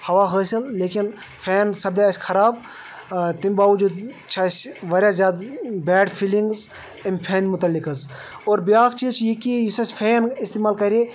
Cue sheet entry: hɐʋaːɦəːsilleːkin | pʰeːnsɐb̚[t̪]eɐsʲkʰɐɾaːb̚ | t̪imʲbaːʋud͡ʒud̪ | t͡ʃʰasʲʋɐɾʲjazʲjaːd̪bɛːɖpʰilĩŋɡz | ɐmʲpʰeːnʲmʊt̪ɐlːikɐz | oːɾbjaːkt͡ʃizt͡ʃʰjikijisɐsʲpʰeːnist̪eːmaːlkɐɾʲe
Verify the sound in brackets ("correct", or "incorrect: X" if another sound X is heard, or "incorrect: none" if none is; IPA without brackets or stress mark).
incorrect: d̪